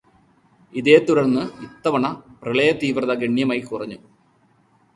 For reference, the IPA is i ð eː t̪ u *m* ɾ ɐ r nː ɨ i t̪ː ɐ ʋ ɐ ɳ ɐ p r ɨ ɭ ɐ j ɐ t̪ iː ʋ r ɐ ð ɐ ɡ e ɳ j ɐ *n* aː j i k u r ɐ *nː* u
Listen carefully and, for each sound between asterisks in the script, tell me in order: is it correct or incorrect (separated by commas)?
incorrect, incorrect, incorrect